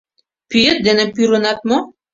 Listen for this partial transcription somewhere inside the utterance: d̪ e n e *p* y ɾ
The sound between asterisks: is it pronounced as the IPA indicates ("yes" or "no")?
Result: yes